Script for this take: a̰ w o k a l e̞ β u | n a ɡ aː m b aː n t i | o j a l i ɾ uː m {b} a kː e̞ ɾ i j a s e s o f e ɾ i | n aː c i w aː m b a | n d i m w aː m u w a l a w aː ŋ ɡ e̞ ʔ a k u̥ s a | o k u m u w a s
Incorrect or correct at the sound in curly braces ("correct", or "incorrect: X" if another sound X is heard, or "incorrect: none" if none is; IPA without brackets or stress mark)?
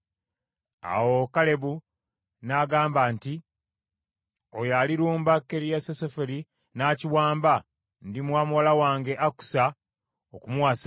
correct